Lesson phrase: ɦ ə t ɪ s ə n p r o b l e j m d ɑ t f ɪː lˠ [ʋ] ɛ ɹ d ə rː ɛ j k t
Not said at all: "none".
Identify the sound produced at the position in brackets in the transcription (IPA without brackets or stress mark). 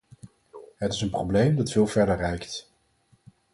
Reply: v